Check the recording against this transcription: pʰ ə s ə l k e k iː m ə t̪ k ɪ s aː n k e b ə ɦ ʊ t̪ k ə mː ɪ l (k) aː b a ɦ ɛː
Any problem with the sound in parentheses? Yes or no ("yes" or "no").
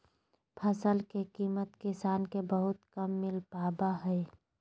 yes